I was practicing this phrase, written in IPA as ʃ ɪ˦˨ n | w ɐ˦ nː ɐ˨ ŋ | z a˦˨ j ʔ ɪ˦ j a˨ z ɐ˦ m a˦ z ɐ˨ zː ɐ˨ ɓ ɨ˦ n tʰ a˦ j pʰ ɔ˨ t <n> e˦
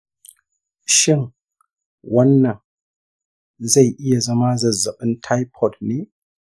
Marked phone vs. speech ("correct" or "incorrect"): correct